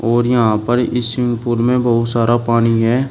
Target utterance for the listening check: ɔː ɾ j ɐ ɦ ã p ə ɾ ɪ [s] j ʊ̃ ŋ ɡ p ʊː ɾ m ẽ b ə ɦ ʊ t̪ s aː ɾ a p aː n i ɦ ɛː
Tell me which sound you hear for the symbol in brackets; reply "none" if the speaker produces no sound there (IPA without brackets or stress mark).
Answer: s